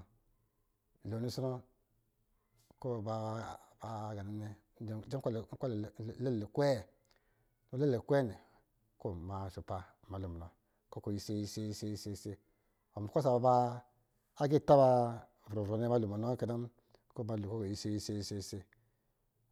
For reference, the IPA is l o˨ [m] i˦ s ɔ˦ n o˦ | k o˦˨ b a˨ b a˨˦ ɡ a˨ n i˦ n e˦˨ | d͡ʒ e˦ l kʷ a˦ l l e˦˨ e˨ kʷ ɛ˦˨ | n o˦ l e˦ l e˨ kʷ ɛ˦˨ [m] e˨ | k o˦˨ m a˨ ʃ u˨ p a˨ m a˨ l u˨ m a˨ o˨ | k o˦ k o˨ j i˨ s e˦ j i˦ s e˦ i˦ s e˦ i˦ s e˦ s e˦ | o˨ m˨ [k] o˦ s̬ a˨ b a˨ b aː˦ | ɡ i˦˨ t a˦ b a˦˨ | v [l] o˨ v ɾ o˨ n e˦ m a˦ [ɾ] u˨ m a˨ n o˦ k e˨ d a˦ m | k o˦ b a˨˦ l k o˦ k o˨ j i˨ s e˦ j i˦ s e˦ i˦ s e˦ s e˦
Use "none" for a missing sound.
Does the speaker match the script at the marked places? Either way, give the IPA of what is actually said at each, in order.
n, n, k, ɾ, l

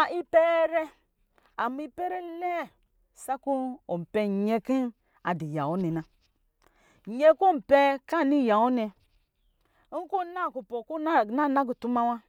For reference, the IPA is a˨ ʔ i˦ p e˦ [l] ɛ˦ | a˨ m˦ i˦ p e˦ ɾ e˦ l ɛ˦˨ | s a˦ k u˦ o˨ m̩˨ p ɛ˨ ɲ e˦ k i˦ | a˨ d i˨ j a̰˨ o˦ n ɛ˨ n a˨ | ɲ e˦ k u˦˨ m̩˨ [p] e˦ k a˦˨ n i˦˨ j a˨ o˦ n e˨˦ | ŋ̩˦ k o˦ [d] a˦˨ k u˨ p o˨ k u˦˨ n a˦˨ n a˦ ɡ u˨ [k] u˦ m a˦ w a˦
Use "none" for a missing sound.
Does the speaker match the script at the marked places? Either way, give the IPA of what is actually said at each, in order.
ɾ, p, n, t

